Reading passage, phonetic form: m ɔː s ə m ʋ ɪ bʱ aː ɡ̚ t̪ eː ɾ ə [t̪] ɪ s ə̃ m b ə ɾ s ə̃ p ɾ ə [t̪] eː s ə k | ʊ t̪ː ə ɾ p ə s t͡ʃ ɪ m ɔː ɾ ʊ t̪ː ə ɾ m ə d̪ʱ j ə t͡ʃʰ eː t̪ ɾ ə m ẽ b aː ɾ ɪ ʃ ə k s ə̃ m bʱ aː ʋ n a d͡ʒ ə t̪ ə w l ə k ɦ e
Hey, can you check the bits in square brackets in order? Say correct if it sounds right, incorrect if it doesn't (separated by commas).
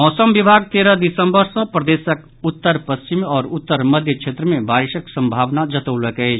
incorrect, incorrect